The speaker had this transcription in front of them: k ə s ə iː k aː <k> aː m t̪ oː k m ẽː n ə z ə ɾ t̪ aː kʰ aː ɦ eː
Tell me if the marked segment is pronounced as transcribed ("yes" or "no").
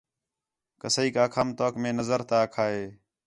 no